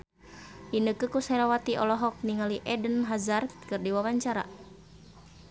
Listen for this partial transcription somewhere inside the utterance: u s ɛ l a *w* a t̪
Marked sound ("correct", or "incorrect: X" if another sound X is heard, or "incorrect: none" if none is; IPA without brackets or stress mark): correct